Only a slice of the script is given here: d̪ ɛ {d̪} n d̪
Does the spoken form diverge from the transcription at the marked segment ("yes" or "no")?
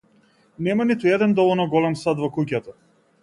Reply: yes